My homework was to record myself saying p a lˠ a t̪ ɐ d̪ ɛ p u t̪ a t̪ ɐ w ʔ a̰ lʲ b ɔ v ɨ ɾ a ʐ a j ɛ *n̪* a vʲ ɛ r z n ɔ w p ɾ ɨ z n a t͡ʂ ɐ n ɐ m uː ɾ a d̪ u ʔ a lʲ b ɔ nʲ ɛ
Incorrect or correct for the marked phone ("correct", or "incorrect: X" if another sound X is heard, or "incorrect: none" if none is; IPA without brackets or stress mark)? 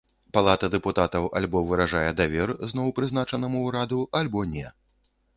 incorrect: d̪